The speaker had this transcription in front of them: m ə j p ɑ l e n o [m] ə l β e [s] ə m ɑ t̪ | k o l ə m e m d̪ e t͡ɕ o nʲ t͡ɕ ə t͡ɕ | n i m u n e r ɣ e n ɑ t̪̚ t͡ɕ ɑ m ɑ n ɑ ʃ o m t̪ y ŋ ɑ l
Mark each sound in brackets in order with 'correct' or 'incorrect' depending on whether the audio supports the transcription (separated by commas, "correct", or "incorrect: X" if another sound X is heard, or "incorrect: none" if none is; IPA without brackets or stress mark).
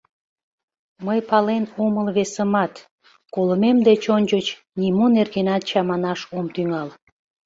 correct, correct